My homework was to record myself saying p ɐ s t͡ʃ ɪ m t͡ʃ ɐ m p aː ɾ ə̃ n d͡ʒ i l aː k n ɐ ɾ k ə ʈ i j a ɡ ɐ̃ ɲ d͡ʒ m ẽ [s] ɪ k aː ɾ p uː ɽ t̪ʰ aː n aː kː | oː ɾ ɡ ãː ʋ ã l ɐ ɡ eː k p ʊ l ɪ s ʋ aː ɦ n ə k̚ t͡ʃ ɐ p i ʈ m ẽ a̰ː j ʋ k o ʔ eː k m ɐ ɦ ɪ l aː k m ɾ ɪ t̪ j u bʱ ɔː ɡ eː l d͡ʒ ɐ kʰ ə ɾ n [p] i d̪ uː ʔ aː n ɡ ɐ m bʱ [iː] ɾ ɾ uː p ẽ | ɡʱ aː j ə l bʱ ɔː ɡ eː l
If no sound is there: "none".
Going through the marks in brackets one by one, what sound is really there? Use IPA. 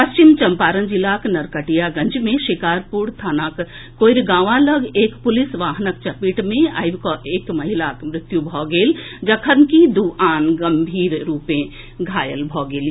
ʃ, k, iː

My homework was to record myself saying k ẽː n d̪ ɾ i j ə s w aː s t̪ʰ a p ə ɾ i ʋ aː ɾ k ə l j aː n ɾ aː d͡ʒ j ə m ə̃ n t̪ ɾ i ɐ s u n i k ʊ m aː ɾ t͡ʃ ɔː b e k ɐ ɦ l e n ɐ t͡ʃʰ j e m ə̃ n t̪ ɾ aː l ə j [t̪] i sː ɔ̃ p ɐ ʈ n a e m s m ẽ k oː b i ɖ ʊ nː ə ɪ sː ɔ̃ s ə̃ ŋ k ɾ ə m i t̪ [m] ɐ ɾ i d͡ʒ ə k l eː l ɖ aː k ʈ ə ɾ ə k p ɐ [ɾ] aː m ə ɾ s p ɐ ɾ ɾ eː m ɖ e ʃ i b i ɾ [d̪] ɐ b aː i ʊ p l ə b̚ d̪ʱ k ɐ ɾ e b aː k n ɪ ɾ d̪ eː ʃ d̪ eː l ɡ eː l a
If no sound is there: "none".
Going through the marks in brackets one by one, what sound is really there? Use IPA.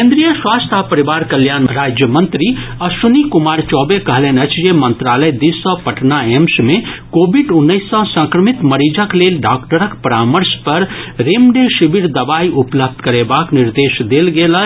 d̪, m, ɾ, d̪

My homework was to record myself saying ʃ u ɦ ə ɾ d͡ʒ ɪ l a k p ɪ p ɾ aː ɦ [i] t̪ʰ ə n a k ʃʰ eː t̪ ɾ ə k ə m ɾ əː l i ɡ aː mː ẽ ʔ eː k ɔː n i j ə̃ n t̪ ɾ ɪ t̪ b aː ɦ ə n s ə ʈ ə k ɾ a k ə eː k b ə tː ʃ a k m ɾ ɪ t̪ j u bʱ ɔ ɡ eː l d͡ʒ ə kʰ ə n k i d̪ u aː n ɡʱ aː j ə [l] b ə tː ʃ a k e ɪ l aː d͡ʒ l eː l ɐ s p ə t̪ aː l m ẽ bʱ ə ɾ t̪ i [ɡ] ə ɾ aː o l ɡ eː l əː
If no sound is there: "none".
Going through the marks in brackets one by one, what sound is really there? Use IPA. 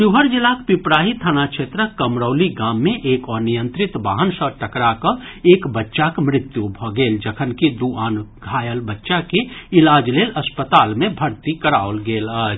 i, l, k

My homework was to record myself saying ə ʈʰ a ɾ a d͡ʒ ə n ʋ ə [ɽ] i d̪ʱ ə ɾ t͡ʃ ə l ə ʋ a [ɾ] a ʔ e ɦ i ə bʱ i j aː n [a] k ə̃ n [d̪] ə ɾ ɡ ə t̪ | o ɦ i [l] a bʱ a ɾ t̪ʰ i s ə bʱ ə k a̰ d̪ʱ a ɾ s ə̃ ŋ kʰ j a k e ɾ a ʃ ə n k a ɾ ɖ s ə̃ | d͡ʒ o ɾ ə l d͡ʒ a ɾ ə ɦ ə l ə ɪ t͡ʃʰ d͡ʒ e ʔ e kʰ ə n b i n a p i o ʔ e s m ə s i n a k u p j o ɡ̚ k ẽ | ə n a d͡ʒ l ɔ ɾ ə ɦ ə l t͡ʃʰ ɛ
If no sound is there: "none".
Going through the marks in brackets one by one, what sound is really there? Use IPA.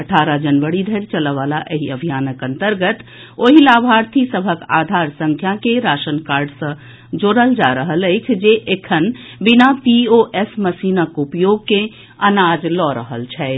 ɽ, l, ə, t̪, l

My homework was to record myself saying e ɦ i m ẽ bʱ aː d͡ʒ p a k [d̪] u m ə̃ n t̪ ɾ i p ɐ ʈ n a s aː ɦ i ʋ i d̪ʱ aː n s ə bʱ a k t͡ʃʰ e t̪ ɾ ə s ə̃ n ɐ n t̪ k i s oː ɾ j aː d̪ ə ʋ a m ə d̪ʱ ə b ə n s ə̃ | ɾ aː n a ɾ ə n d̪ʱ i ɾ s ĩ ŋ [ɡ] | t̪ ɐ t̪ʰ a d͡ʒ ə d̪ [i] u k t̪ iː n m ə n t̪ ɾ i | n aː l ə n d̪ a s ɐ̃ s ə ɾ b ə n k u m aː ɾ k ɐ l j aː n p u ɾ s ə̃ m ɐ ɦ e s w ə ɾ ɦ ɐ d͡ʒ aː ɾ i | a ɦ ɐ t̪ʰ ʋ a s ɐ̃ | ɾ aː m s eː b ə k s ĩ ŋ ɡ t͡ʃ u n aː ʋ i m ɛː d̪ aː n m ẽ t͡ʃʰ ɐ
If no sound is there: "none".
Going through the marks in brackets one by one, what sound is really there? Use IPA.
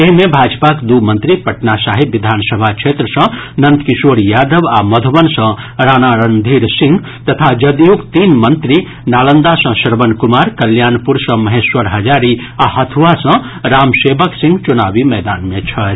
d̪, ɡ, j

